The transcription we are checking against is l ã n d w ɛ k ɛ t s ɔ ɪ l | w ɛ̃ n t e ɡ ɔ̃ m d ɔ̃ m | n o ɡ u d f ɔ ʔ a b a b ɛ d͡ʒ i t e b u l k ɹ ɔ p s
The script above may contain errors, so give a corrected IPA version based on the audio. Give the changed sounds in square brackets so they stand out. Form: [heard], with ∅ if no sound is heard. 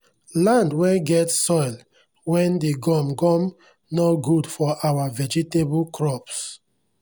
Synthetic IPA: l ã n d w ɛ [ɡ] ɛ t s ɔ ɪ l | w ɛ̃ n [d] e ɡ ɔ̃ m [ɡ] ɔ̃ m | n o ɡ u d f ɔ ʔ a [w] a [v] ɛ d͡ʒ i t e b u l k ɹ ɔ p s